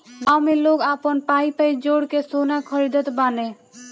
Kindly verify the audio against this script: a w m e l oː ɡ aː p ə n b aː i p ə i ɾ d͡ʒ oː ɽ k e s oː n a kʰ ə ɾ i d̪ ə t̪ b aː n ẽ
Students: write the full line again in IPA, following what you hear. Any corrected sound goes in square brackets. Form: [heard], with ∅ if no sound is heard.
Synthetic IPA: a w m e l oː ɡ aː p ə n [p] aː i p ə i [∅] d͡ʒ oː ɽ k e s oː n a kʰ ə ɾ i d̪ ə t̪ b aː n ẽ